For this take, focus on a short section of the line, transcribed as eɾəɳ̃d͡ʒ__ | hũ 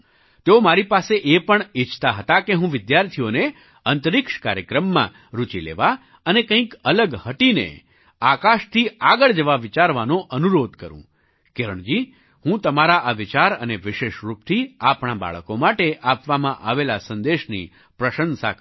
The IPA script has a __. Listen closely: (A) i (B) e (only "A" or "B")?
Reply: A